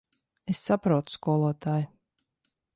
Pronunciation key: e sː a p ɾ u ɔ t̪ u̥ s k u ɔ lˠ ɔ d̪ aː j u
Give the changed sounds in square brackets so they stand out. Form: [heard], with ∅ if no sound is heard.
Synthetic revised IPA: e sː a p ɾ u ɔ t̪ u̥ s k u ɔ lˠ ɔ [t̪] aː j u